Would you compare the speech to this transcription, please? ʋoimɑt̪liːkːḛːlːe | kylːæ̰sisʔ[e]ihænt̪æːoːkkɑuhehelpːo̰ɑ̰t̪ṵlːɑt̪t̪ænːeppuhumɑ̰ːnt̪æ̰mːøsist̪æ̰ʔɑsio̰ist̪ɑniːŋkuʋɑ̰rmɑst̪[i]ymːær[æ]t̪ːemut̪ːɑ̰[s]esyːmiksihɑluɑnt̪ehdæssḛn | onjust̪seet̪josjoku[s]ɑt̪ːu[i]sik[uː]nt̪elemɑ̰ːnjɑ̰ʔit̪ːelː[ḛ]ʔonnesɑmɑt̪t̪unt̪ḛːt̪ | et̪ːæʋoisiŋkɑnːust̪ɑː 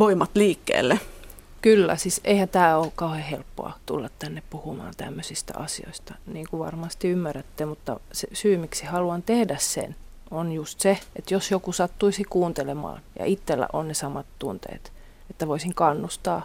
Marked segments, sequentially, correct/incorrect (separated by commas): correct, correct, correct, correct, correct, correct, correct, incorrect